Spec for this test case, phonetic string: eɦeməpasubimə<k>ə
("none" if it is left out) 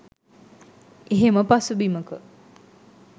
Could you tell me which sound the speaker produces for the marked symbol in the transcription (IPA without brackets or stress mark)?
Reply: k